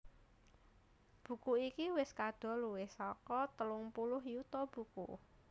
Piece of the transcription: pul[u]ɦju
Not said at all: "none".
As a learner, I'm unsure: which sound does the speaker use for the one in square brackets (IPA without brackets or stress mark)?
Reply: ʊ